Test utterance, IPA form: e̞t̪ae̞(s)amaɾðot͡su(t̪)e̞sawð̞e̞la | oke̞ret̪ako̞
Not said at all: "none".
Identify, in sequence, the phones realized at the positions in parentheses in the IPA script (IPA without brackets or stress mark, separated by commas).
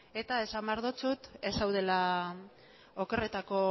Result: s, t̪